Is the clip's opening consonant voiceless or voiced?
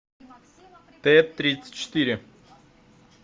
voiceless